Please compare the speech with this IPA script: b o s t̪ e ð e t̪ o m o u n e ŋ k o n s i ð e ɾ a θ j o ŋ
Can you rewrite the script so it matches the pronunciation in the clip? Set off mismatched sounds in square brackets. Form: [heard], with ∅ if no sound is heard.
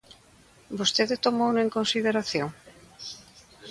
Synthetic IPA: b o s t̪ e ð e t̪ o m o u n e ŋ k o n s i ð e ɾ a θ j o ŋ